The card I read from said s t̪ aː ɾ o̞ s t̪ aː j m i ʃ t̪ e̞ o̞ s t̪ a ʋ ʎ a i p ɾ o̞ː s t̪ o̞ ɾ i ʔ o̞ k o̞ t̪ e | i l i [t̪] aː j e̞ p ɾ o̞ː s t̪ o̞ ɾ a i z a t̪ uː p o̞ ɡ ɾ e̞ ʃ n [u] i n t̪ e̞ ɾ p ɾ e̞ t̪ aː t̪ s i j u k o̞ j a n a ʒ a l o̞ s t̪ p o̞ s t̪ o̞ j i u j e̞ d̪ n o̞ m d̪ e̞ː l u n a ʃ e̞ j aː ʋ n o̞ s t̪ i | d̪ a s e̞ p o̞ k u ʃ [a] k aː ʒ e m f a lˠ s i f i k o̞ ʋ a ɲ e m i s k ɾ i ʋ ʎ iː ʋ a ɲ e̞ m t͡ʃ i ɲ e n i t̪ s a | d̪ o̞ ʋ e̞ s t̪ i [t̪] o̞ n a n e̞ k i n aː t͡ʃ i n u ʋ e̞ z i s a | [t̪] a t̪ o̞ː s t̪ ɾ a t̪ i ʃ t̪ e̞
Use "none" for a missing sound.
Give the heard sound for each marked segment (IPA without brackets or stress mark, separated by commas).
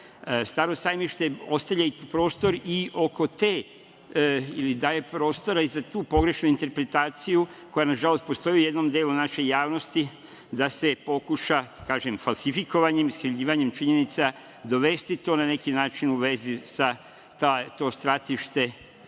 d̪, u, a, t̪, t̪